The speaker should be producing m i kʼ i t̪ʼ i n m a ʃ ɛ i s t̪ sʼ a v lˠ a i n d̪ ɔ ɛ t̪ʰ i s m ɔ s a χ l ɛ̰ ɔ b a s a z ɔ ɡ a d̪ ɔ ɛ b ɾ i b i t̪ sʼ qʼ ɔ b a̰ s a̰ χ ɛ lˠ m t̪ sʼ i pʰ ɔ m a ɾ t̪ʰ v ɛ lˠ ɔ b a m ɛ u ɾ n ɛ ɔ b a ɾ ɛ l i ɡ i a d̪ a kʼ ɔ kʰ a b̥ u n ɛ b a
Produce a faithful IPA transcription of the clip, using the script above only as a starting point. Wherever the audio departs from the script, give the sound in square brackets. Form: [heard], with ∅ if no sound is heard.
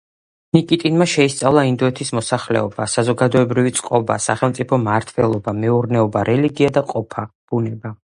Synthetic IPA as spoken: [n] i kʼ i t̪ʼ i n m a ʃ ɛ i s t̪ sʼ a v lˠ a i n d̪ ɔ ɛ t̪ʰ i s m ɔ s a χ l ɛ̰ ɔ b a s a z ɔ ɡ a d̪ ɔ ɛ b ɾ i [v] i t̪ sʼ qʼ ɔ b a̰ s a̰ χ ɛ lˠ m t̪ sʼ i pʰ ɔ m a ɾ t̪ʰ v ɛ lˠ ɔ b a m ɛ u ɾ n ɛ ɔ b a ɾ ɛ l i ɡ i a d̪ a [qʼ] ɔ [pʰ] a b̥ u n ɛ b a